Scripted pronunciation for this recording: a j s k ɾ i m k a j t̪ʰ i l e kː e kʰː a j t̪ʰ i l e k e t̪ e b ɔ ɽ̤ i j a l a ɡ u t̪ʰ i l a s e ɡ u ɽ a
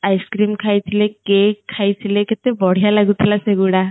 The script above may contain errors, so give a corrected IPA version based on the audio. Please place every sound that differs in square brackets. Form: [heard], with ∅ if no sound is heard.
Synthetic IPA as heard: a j s k ɾ i m [kʰ] a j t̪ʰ i l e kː e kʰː a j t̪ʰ i l e k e t̪ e b ɔ ɽ̤ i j a l a ɡ u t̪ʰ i l a s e ɡ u ɽ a

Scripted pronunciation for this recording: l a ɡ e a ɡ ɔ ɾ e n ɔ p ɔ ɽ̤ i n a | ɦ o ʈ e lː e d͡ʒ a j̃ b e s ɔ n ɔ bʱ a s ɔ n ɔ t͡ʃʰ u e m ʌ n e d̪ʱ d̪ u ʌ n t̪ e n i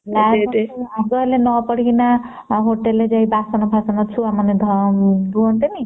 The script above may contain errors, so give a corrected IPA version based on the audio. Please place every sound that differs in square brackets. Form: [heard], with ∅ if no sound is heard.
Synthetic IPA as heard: l a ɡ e a ɡ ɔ [l] e n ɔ p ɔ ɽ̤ i n a | ɦ o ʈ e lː e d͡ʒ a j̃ b [a] s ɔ n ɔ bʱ a s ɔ n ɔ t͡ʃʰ u [a] m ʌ n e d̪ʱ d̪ u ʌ n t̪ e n i

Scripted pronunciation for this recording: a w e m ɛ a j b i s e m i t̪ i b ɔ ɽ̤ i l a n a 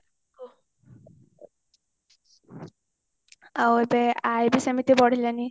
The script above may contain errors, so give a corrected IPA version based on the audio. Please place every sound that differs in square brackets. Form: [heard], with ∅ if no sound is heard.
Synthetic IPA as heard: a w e [b] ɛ a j b i s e m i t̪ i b ɔ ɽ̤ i l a n [i]

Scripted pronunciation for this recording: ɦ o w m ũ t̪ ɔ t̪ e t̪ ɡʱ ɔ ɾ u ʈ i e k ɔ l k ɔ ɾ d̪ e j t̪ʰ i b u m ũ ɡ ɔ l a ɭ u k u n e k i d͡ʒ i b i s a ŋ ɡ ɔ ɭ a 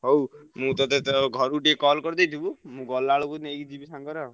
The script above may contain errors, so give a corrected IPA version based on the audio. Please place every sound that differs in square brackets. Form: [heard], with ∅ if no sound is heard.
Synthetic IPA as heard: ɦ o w m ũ t̪ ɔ t̪ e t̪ ɡʱ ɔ ɾ u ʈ i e k ɔ l k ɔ ɾ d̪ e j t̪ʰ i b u m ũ ɡ ɔ l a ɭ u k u n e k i d͡ʒ i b i s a ŋ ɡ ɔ [ɾ] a

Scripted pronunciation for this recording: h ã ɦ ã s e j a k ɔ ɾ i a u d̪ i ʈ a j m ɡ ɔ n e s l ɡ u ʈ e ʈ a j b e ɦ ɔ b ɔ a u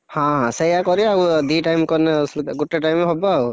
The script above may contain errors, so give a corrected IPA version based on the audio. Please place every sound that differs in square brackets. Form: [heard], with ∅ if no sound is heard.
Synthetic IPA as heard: h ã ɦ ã s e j a k ɔ ɾ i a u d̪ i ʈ a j m [k] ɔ n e s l ɡ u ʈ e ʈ a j [m] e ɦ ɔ b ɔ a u

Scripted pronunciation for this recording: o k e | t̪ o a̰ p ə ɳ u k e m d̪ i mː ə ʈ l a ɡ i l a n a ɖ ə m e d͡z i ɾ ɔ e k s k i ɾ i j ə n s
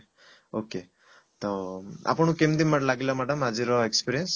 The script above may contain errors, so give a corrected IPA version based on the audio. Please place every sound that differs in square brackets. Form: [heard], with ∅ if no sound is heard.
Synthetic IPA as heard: o k e | t̪ o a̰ p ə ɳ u k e m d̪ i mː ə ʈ l a ɡ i l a [m] a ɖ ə m [a] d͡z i ɾ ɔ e k s [p] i ɾ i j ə n s

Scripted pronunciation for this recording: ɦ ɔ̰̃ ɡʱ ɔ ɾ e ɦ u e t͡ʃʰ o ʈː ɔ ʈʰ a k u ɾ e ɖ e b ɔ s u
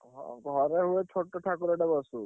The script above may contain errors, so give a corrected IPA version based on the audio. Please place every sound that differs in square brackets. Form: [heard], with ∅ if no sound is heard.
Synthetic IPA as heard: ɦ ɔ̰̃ ɡʱ ɔ ɾ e ɦ u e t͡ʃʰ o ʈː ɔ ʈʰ a k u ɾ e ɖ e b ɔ s u

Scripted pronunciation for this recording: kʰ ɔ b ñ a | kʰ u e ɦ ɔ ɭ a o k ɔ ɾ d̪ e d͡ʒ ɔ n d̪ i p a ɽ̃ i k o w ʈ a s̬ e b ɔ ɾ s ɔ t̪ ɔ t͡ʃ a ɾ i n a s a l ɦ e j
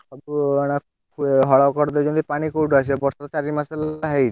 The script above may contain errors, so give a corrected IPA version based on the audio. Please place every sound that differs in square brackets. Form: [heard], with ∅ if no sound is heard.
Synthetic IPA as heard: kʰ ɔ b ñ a | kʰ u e ɦ ɔ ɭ a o k ɔ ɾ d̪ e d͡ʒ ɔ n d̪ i p a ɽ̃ i k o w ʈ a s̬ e b ɔ ɾ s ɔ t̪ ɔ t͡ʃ a ɾ i [m] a s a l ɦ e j

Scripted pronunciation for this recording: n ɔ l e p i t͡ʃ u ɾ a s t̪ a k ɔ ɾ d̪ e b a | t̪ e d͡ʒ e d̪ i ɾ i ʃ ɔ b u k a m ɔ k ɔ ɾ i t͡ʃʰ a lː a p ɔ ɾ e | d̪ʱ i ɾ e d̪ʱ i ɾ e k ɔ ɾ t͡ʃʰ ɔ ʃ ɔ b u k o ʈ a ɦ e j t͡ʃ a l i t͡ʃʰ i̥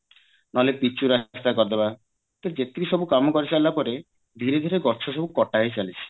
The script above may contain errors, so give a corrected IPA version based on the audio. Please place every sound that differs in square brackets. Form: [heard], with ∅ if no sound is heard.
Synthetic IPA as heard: n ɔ l e p i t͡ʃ u ɾ a s t̪ a k ɔ ɾ d̪ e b a | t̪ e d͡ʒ e [t̪] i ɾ i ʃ ɔ b u k a m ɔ k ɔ ɾ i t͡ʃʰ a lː a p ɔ ɾ e | d̪ʱ i ɾ e d̪ʱ i ɾ e [ɡ] ɔ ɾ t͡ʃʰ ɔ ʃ ɔ b u k [ɔ] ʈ a ɦ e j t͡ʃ a l i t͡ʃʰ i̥

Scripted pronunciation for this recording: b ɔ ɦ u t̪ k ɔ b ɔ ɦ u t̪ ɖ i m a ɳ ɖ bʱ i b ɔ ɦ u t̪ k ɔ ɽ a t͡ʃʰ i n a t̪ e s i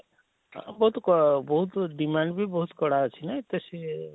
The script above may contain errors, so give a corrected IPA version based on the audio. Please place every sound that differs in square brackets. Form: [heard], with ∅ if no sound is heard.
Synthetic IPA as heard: b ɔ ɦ u t̪ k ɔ b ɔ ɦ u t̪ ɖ i m a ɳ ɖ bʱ i b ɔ ɦ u t̪ k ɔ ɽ a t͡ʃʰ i n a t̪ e s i

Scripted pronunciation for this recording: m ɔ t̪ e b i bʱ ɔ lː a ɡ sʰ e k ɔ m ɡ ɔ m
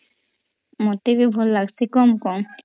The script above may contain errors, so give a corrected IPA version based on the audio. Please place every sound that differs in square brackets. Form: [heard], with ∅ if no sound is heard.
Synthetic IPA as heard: m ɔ t̪ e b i bʱ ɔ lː a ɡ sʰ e k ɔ m [k] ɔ m

